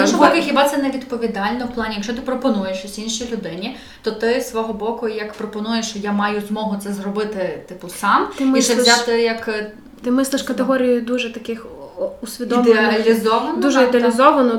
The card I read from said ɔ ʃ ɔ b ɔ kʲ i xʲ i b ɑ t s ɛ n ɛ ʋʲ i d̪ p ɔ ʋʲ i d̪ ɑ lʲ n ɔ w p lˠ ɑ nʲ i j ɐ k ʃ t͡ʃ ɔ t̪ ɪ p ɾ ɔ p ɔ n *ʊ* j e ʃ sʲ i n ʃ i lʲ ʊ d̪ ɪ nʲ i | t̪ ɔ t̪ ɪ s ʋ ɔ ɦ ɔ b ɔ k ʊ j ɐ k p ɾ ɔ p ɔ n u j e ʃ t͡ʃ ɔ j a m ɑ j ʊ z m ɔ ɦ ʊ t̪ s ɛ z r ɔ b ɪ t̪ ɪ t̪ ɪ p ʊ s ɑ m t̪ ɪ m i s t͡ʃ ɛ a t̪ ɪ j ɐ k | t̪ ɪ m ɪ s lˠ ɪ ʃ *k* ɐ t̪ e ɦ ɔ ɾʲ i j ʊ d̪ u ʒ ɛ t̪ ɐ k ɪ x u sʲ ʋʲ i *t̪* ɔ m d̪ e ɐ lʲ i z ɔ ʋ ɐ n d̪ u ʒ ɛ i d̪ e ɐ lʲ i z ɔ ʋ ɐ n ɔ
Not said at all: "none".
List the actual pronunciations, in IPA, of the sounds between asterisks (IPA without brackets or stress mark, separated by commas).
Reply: u, k, d̪